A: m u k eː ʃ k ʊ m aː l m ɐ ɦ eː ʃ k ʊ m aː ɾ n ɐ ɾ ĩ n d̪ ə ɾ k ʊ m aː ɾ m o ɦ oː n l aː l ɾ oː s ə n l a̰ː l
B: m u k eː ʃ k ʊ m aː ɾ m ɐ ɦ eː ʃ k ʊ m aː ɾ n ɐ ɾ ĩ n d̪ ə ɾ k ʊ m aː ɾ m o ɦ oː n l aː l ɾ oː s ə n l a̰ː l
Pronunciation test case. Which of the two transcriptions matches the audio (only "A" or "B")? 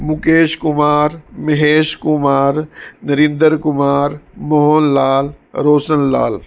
B